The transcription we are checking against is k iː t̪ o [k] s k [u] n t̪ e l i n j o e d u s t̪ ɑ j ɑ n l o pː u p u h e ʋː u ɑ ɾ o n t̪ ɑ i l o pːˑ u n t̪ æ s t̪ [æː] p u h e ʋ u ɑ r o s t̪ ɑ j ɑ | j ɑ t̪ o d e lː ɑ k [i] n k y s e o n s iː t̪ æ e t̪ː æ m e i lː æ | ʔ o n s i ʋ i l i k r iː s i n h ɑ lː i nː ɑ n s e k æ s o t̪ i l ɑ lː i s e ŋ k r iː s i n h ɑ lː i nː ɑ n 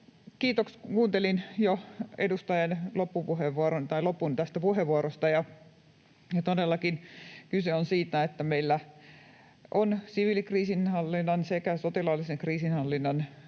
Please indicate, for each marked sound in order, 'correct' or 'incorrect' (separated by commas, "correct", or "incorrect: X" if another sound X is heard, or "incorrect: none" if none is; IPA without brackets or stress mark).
correct, incorrect: uː, incorrect: æ, correct